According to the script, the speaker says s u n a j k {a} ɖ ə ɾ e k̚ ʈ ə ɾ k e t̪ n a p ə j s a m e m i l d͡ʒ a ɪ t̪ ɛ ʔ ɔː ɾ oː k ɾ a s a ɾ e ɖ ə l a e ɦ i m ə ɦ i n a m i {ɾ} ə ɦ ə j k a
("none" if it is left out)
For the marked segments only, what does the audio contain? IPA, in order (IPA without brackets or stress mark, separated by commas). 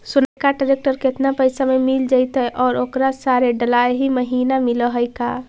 a, l